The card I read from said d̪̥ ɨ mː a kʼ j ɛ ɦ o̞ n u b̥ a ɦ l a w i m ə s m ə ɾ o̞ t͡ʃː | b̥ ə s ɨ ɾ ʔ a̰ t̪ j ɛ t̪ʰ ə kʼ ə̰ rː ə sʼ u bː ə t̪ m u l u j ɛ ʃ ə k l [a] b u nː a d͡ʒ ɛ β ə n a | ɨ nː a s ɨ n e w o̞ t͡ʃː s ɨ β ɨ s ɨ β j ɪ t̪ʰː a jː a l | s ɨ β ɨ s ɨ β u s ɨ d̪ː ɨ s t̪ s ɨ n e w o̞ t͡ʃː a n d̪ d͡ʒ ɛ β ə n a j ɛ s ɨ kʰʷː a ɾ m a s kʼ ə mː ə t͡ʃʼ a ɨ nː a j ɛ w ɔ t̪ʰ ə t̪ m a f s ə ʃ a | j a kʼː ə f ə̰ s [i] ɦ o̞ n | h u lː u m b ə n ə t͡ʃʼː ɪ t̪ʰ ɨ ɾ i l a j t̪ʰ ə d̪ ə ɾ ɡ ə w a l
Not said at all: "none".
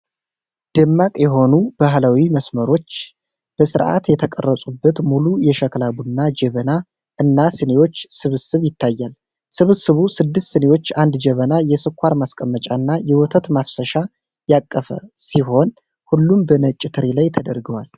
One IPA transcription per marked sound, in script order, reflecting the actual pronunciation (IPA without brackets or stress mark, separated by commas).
a, i